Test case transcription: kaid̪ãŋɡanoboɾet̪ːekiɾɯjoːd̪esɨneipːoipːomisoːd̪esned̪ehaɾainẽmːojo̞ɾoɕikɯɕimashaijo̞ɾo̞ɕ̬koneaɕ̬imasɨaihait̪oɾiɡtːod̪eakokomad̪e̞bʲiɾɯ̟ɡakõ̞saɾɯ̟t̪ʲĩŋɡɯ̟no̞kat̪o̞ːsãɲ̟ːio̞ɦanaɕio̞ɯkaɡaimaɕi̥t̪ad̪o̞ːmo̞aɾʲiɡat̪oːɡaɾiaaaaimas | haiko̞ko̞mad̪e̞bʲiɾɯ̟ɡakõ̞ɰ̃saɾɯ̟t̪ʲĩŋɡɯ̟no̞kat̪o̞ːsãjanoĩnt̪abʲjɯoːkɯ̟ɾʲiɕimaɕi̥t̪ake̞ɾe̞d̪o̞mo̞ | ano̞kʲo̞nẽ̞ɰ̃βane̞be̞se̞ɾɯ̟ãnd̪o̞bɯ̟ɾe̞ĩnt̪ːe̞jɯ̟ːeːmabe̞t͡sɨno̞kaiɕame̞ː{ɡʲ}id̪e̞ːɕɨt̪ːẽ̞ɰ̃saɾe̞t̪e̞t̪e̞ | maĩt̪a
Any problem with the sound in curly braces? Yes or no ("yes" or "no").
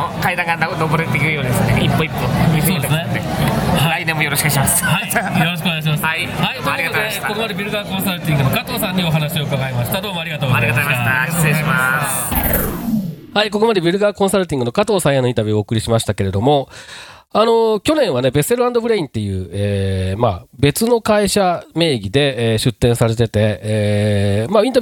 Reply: no